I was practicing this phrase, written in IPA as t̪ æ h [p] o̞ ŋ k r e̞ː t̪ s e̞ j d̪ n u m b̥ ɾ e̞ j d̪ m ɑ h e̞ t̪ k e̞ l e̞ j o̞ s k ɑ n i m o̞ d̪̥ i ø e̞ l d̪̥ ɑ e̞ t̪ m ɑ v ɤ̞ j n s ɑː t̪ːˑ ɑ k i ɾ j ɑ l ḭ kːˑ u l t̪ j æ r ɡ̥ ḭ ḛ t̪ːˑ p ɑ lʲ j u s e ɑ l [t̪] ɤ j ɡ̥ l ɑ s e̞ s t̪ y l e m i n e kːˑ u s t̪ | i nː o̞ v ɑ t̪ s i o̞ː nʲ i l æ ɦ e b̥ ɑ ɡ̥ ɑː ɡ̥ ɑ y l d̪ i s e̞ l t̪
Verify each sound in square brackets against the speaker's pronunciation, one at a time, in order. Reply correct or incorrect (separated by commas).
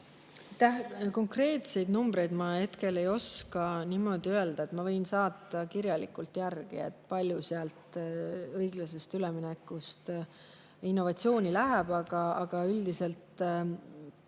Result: incorrect, correct